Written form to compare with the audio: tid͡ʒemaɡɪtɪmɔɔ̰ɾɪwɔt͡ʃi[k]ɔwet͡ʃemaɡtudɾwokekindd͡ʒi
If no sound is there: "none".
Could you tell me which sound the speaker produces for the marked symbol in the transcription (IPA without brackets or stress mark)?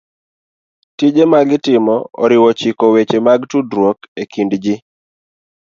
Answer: k